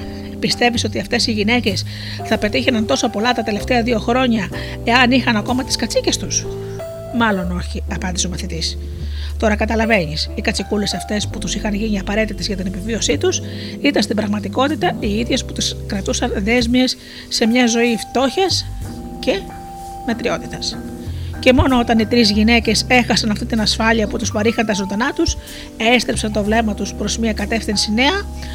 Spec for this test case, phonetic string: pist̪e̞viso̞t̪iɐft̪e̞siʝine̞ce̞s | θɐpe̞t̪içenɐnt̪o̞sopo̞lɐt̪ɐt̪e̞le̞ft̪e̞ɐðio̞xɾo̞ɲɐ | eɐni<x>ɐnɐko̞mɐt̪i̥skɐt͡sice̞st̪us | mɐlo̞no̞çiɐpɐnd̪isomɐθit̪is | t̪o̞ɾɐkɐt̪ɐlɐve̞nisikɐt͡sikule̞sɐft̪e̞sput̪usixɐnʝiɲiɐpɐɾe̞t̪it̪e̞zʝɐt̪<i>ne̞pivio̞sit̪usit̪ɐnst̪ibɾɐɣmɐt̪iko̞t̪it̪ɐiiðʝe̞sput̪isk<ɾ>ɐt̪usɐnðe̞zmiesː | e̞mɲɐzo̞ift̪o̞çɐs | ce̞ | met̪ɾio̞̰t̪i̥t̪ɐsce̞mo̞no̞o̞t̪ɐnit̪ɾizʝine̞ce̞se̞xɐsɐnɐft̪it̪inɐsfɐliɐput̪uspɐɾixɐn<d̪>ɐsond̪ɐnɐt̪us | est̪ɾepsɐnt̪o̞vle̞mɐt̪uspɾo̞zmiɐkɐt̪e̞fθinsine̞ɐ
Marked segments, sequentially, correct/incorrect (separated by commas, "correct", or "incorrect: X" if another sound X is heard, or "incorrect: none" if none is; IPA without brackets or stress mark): correct, correct, correct, incorrect: t̪